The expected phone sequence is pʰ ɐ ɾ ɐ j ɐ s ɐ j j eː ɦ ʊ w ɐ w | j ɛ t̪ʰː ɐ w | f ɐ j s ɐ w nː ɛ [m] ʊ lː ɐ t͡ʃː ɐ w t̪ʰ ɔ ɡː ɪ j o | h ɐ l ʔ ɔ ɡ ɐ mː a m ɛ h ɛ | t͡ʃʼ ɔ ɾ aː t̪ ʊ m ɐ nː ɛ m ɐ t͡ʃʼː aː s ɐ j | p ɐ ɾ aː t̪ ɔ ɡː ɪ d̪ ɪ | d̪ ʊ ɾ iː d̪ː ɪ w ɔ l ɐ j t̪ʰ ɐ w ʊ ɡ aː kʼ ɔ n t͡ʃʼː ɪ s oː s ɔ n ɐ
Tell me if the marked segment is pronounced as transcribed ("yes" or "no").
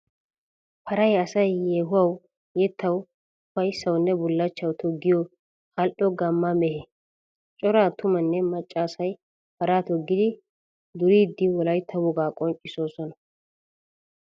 no